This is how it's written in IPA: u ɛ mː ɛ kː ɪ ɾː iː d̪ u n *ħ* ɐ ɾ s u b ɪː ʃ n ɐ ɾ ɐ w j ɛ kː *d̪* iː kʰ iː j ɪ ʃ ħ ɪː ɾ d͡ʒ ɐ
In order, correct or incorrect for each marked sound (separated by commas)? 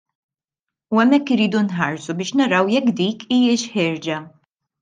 correct, correct